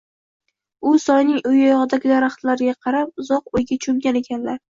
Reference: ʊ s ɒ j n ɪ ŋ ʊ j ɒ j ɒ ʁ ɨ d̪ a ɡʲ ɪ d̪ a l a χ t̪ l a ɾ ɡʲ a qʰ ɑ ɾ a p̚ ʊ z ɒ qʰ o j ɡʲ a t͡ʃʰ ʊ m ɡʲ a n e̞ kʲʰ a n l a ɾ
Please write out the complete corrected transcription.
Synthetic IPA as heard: ʊ s ɒ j n ɪ ŋ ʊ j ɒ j ɒ ʁ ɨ d̪ a ɡʲ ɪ d̪ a ɾ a χ t̪ l a ɾ ɡʲ a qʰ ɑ ɾ a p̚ ʊ z ɒ q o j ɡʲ a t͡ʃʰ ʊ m ɡʲ a n e̞ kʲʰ a n l a ɾ